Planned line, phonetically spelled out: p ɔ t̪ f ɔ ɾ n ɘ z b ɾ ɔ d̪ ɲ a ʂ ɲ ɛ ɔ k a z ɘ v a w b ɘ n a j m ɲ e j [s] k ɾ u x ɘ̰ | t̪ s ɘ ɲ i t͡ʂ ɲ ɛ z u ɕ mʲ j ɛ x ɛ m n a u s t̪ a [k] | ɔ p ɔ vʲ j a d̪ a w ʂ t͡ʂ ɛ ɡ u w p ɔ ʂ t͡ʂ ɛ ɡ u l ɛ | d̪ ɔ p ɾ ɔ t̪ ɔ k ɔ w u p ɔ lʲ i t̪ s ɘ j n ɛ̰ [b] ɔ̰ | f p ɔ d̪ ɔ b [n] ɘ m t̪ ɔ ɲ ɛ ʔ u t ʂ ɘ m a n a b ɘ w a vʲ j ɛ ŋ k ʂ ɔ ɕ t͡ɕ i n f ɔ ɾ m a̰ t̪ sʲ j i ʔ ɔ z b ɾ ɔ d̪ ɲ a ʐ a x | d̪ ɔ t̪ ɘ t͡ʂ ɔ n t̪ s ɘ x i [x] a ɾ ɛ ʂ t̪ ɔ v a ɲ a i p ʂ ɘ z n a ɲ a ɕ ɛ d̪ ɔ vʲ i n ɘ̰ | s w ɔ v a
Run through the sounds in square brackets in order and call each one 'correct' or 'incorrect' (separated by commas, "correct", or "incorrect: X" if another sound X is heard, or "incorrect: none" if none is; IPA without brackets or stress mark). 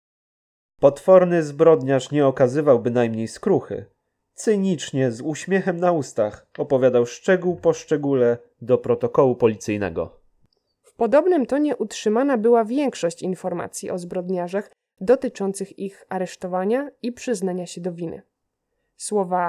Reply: correct, incorrect: x, incorrect: ɡ, correct, correct